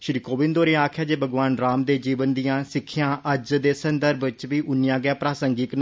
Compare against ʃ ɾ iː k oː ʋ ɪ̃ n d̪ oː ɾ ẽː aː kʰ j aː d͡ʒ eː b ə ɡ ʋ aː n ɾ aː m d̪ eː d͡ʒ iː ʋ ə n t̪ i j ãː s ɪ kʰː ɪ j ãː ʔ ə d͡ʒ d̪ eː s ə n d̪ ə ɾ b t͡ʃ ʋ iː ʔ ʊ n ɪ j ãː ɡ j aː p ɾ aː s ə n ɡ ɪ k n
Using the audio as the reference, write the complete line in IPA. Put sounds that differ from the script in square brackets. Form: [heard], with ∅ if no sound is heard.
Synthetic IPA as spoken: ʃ ɾ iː k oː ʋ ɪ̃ n d̪ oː ɾ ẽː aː kʰ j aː d͡ʒ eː b ə ɡ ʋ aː n ɾ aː m d̪ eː d͡ʒ iː ʋ ə n [d̪] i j ãː s ɪ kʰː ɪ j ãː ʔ ə d͡ʒ d̪ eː s ə n d̪ ə ɾ b t͡ʃ ʋ iː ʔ ʊ n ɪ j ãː ɡ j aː p ɾ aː s ə [ŋ] ɡ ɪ k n